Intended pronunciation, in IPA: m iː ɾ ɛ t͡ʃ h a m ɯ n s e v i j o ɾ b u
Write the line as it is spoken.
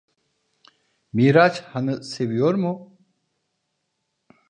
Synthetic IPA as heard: m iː ɾ a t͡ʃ h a n ɯ s e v i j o ɾ m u